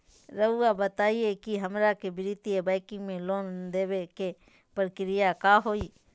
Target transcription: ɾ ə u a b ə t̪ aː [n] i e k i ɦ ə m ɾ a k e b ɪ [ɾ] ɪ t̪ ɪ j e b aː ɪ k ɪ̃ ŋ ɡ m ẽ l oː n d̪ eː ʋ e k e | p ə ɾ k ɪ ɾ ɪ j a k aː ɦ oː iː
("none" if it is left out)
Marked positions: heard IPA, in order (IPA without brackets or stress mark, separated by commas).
none, ɾ